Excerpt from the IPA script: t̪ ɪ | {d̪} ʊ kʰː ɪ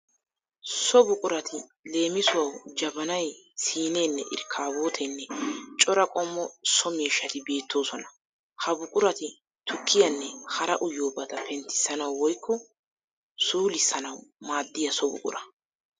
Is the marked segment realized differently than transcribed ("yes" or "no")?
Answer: yes